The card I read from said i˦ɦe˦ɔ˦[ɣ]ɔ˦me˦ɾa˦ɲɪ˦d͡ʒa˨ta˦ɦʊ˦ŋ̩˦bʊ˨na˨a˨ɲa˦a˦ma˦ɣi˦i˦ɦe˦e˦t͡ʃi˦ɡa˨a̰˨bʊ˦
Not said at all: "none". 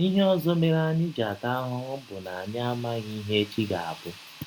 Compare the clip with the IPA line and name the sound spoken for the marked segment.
z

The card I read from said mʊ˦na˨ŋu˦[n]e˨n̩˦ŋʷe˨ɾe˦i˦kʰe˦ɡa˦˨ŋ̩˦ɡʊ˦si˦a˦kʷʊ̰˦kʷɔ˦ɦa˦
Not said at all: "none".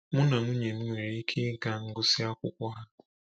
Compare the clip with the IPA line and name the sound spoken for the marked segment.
ɲ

